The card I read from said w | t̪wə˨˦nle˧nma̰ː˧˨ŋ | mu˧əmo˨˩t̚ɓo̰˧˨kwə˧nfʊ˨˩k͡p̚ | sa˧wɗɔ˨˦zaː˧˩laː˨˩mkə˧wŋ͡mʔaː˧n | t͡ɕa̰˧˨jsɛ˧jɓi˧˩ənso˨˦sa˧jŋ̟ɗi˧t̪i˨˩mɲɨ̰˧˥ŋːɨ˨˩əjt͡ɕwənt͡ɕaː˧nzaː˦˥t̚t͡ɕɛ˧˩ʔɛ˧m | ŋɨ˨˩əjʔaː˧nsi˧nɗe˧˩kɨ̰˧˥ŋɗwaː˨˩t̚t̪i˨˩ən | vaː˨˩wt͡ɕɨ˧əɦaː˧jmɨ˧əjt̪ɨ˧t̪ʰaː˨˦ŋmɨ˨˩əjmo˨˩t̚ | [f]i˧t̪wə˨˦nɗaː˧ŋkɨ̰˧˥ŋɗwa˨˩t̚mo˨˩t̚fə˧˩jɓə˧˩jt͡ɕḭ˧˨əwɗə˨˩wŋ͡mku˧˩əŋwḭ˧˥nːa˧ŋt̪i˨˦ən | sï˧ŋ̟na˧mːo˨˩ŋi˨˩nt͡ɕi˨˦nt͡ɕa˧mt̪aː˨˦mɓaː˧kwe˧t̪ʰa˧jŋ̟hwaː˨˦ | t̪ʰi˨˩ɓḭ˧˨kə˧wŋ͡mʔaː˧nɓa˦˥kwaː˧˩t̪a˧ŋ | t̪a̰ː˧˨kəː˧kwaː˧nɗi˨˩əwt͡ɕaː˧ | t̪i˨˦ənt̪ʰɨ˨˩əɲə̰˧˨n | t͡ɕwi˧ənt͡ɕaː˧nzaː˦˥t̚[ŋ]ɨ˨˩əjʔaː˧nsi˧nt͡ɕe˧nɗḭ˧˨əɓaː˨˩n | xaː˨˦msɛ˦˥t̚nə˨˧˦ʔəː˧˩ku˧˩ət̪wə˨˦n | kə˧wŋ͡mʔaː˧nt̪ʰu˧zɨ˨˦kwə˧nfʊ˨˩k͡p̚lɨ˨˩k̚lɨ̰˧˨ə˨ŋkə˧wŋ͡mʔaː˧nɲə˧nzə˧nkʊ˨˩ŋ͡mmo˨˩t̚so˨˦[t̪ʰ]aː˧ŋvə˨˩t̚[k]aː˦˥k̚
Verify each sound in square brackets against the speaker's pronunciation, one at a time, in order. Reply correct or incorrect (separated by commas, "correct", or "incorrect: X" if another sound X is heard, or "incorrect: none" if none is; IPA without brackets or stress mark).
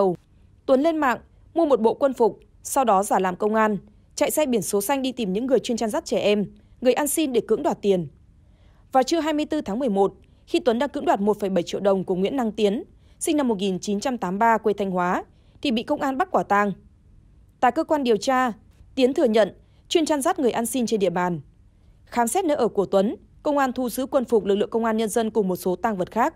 incorrect: x, correct, incorrect: t̪, incorrect: x